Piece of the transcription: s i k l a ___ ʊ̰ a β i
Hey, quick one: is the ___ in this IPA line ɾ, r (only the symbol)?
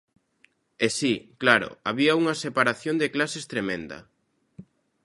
ɾ